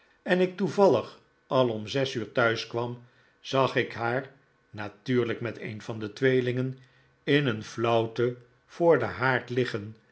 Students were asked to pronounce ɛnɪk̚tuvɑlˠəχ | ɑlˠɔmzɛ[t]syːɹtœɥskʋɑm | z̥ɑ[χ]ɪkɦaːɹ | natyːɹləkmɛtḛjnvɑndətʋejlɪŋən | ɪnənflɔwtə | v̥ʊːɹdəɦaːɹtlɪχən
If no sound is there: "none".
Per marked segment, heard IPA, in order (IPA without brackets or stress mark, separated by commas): none, χ